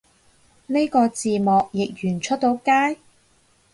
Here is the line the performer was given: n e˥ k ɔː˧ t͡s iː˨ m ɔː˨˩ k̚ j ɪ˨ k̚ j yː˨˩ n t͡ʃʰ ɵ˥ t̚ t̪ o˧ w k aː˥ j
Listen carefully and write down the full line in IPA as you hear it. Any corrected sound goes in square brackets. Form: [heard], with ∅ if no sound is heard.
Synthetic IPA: n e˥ k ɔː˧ t͡s iː˨ m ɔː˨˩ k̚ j ɪ˨ k̚ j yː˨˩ n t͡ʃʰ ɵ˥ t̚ t̪ [o˨˥] w k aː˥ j

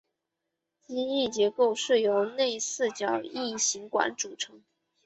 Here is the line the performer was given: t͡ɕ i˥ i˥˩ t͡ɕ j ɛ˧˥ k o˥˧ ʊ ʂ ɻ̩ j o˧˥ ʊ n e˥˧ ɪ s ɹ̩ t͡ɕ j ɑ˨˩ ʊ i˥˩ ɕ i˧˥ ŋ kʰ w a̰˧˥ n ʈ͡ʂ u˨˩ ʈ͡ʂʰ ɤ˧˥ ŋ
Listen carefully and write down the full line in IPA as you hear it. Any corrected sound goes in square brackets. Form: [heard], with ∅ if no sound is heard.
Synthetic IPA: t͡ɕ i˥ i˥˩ t͡ɕ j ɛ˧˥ k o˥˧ ʊ ʂ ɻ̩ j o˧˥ ʊ n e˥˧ ɪ s ɹ̩ t͡ɕ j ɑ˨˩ ʊ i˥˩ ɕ i˧˥ ŋ [k] w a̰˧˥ n ʈ͡ʂ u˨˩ ʈ͡ʂʰ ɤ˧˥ ŋ

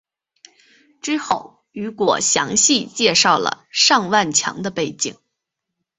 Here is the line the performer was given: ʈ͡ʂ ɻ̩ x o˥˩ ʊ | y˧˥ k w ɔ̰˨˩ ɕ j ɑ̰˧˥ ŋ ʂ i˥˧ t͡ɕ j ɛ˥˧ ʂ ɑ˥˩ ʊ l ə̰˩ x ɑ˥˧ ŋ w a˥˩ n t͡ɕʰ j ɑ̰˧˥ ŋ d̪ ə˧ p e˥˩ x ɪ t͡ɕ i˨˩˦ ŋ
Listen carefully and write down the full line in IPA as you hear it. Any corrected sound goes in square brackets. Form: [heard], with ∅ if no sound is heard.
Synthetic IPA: ʈ͡ʂ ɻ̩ x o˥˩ ʊ | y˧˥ k w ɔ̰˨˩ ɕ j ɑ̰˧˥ ŋ [ɕ] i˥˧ t͡ɕ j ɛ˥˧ ʂ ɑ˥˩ ʊ l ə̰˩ [ʂ] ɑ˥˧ ŋ w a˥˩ n t͡ɕʰ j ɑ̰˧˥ ŋ d̪ ə˧ p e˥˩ [∅] ɪ t͡ɕ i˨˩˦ ŋ

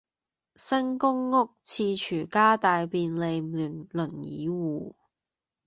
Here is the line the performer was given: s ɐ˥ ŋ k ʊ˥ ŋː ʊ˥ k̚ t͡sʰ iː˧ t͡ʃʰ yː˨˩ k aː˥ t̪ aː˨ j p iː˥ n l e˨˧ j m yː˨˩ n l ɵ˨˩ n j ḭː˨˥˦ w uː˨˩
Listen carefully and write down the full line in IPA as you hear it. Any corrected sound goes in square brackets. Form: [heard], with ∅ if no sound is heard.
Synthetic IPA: s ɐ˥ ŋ k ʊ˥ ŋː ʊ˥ k̚ t͡sʰ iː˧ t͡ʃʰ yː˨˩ k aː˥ t̪ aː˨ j p [iː˧] n l e˨˧ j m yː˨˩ n l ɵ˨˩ n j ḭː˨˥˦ w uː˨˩

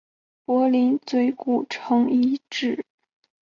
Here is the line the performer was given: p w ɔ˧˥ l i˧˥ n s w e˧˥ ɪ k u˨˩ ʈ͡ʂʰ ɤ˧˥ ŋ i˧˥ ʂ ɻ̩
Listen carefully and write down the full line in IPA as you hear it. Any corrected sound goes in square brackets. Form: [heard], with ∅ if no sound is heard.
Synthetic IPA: p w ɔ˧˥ l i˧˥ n [t͡s] w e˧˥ ɪ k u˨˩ ʈ͡ʂʰ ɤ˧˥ ŋ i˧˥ [ʈ͡ʂ] ɻ̩

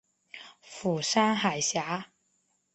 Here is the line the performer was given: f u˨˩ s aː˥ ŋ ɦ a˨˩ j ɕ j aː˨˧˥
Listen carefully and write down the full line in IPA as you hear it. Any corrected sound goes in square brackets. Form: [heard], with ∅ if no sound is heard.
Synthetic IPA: f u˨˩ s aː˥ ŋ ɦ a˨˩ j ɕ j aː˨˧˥

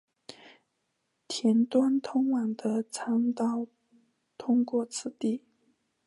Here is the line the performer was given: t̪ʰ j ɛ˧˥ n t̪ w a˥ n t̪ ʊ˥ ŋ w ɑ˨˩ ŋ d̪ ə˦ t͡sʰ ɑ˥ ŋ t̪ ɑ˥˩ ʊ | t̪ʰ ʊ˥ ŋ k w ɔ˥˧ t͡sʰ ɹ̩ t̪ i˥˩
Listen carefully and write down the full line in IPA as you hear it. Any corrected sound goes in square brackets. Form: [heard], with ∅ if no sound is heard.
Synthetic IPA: t̪ʰ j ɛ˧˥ n t̪ w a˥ n [t̪ʰ] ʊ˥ ŋ w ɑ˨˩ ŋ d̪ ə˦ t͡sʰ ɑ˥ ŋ t̪ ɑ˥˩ ʊ | t̪ʰ ʊ˥ ŋ k w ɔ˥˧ t͡sʰ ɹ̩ t̪ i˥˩

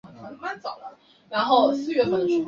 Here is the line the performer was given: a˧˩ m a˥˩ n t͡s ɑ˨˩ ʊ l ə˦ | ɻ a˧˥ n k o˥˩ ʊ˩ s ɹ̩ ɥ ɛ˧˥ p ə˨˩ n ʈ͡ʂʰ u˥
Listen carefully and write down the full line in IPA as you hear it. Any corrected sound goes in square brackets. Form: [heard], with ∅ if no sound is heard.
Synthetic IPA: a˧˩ m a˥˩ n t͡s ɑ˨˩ ʊ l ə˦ | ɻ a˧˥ n [x] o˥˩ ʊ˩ s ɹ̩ ɥ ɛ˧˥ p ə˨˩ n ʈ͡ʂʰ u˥

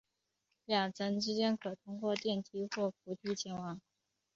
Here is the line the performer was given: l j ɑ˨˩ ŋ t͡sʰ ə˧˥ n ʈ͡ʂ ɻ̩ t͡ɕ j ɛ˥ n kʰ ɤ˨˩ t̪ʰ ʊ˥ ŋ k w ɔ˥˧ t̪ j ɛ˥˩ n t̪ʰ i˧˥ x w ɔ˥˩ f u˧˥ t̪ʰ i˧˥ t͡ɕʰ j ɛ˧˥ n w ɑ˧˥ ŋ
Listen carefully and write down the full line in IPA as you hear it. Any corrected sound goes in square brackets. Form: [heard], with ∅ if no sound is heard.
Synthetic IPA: l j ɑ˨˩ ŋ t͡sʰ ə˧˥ n ʈ͡ʂ ɻ̩ t͡ɕ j ɛ˥ n kʰ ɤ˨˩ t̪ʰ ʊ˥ ŋ k w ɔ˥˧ t̪ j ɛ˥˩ n t̪ʰ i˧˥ x w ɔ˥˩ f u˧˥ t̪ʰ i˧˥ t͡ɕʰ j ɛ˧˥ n w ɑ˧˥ ŋ

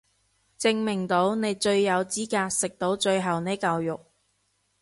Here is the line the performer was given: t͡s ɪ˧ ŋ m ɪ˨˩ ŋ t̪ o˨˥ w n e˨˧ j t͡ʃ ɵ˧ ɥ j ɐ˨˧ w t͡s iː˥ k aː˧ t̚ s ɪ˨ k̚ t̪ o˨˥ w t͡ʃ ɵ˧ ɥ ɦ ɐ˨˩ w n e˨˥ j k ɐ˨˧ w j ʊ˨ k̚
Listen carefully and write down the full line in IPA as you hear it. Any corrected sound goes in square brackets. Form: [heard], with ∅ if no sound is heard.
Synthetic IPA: t͡s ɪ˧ ŋ m ɪ˨˩ ŋ t̪ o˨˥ w n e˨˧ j t͡ʃ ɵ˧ ɥ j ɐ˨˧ w t͡s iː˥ k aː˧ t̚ s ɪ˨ k̚ t̪ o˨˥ w t͡ʃ ɵ˧ ɥ ɦ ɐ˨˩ w n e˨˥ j k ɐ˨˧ w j ʊ˨ k̚

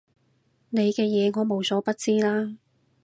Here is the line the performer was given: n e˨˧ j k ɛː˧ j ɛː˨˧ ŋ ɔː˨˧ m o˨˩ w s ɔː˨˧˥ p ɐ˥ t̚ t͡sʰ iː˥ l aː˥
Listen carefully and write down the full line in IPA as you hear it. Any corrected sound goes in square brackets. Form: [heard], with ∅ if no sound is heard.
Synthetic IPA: n e˨˧ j k ɛː˧ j ɛː˨˧ ŋ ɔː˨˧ m o˨˩ w s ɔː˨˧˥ p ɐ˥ t̚ [t͡s] iː˥ l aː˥

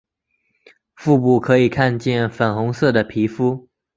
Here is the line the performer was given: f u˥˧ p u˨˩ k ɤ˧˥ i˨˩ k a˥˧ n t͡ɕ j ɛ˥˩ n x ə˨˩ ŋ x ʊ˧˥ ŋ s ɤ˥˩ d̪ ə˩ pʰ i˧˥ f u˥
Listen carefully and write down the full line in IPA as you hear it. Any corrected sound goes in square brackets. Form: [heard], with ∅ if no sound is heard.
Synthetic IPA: f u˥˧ p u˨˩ [kʰ] ɤ˧˥ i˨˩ [kʰ] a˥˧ n t͡ɕ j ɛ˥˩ n [f] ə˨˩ [n] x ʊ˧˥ ŋ s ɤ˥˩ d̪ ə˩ pʰ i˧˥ f u˥

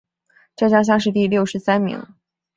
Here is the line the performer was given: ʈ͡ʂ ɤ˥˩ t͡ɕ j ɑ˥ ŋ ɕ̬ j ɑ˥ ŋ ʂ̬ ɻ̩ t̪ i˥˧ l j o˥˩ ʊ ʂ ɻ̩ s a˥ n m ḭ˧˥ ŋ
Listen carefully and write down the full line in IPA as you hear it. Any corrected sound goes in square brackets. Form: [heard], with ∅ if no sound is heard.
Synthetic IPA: ʈ͡ʂ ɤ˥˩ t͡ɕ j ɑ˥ ŋ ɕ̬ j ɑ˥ ŋ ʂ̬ ɻ̩ t̪ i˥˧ l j o˥˩ ʊ ʂ ɻ̩ s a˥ n m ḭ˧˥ ŋ

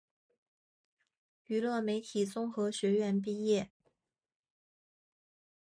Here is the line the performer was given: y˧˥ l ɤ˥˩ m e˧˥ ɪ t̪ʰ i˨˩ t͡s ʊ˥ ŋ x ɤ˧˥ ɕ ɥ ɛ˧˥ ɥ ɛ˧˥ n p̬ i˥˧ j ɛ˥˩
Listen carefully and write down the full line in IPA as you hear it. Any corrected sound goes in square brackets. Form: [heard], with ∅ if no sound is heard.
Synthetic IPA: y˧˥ l ɤ˥˩ m e˧˥ ɪ t̪ʰ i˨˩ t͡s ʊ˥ ŋ x ɤ˧˥ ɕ ɥ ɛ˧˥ ɥ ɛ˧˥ n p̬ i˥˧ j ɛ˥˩

